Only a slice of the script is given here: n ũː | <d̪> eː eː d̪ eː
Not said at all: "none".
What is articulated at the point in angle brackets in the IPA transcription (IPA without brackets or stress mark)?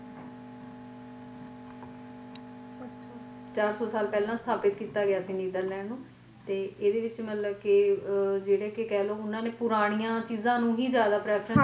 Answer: t̪